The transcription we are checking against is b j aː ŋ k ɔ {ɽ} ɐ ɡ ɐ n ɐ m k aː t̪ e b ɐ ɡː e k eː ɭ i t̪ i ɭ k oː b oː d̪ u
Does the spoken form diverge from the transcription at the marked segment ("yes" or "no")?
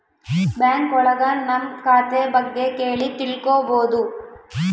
yes